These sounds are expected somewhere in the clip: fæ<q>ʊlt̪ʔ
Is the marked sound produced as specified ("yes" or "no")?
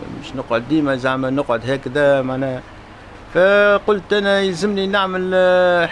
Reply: yes